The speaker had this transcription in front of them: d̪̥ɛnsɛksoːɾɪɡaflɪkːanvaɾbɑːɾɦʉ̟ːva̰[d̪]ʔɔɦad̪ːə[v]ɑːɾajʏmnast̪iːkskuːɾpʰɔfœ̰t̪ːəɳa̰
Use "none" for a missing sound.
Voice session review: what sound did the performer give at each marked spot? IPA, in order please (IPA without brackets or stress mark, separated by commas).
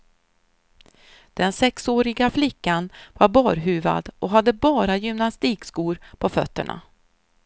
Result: d̪, b